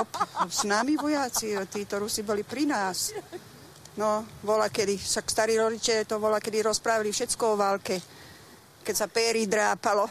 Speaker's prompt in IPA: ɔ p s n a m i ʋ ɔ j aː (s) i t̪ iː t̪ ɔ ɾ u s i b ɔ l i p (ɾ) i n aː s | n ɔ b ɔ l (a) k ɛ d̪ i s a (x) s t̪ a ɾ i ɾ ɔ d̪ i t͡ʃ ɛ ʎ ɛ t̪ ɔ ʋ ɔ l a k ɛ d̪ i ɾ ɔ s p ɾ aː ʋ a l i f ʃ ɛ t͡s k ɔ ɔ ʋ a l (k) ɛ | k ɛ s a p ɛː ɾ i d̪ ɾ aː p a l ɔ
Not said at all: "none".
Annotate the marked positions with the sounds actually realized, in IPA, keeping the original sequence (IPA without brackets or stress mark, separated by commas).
t͡s, ɾ, a, k, k